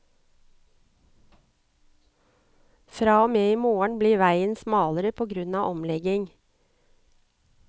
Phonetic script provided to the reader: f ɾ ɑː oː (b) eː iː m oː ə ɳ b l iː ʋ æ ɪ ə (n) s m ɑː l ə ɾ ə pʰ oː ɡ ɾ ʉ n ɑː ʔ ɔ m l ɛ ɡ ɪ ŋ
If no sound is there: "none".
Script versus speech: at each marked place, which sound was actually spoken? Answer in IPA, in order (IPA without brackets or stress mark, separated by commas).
m, n